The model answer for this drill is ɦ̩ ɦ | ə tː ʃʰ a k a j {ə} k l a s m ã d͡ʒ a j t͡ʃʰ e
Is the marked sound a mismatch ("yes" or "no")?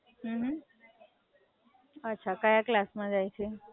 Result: yes